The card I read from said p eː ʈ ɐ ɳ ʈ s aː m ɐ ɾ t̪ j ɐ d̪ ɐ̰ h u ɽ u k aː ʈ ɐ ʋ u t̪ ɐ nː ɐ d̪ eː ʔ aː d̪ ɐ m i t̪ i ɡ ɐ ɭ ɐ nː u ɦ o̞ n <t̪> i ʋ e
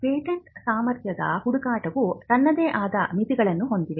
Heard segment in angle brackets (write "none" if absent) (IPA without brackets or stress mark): d̪